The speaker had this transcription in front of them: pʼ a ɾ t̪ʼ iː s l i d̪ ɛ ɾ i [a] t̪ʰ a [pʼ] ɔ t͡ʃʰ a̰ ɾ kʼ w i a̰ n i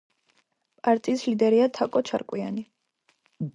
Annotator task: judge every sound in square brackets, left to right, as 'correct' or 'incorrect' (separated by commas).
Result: correct, incorrect